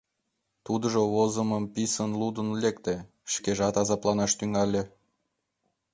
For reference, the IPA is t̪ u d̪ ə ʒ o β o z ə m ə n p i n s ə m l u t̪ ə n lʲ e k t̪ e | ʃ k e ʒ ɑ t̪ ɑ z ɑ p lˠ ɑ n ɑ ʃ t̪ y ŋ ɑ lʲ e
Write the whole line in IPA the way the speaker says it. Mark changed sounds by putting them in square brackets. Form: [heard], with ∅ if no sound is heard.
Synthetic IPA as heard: t̪ u d̪ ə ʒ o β o z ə m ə [m] p i [∅] s ə [n] l u [d̪] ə n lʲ e k t̪ e | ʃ k e ʒ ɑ t̪ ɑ z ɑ p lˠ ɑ n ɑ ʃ t̪ y ŋ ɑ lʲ e